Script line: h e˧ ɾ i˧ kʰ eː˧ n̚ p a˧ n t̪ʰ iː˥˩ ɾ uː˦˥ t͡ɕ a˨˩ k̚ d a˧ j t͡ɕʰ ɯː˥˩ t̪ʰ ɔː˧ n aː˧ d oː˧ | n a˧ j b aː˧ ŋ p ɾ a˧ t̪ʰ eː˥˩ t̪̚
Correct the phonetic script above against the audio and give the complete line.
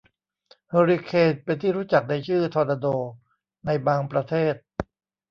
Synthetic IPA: h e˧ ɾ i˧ kʰ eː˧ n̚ p e˧ n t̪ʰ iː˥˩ ɾ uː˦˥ t͡ɕ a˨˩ k̚ d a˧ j t͡ɕʰ ɯː˥˩ t̪ʰ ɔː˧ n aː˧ d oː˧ | n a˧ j b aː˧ ŋ p ɾ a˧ t̪ʰ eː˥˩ t̪̚